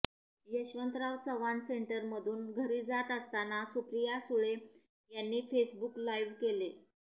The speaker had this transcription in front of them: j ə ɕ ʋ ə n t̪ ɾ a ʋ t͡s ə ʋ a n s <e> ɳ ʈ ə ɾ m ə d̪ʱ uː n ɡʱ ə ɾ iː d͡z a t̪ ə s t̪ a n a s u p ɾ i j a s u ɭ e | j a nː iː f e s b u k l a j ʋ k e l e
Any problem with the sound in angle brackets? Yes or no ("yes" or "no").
no